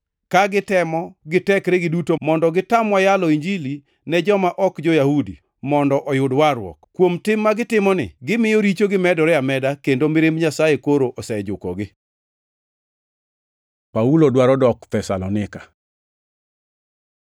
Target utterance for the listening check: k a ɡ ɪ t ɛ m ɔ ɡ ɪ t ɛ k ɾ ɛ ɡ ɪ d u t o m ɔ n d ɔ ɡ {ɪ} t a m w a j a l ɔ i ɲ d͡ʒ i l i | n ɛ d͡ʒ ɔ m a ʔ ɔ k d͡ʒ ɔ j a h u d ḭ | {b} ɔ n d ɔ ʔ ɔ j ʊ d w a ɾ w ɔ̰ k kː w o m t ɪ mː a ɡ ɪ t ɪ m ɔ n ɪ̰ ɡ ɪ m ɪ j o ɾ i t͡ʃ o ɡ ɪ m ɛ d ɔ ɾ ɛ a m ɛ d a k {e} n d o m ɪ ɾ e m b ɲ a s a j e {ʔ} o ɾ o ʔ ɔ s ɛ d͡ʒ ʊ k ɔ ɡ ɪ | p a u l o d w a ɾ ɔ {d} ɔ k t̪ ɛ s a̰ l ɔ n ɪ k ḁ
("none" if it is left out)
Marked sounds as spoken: ɪ, m, e, k, d

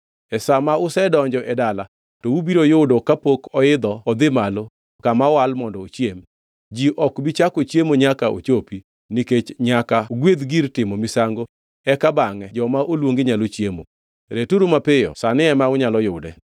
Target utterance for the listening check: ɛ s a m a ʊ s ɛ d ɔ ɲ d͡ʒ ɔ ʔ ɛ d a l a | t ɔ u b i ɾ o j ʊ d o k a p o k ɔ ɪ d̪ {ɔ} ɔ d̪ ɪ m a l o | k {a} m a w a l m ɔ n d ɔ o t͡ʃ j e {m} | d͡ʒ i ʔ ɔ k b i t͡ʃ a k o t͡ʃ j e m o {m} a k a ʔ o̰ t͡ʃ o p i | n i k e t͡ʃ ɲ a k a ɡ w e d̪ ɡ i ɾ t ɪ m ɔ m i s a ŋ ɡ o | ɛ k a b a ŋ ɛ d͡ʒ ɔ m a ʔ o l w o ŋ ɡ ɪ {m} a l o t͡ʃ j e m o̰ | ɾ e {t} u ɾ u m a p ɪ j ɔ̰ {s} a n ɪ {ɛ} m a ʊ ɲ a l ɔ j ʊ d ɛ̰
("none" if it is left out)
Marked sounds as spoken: ɔ, a, m, ɲ, ɲ, t, s, ɛ

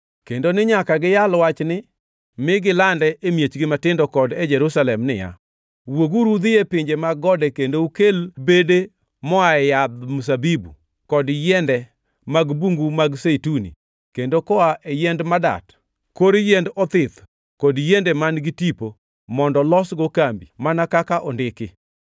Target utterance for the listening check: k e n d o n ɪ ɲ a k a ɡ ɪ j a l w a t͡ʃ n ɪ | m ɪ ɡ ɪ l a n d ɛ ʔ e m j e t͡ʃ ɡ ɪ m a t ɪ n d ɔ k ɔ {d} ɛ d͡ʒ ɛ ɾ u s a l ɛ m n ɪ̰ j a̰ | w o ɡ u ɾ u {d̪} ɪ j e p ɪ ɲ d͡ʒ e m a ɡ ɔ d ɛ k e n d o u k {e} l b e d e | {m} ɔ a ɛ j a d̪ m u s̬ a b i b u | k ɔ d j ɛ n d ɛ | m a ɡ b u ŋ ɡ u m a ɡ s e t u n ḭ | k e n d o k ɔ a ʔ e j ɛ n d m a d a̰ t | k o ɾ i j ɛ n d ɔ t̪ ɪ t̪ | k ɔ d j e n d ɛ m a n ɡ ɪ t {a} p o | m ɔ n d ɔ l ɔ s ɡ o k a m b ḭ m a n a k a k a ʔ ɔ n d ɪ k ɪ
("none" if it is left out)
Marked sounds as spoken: d, d̪, e, m, i

